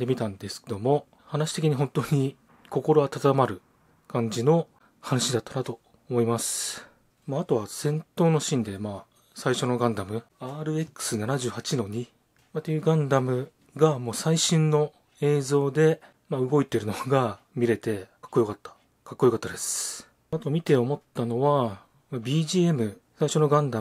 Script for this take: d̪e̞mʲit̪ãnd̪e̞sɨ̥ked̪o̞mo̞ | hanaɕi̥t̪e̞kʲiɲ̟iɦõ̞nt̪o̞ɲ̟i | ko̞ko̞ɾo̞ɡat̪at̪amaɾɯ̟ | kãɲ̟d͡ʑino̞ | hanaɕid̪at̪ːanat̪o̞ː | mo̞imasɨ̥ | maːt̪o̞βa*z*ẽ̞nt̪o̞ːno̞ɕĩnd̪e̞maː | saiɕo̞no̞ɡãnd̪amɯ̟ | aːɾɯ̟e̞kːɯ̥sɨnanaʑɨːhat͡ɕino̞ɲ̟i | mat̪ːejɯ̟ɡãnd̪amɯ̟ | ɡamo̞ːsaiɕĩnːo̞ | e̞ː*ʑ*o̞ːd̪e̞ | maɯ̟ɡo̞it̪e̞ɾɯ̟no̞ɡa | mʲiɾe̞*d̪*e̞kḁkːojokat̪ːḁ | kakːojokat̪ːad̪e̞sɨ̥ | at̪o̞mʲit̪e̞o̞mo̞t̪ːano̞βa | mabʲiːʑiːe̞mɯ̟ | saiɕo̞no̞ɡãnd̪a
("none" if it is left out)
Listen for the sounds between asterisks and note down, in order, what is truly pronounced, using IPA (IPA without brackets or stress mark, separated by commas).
s, z, t̪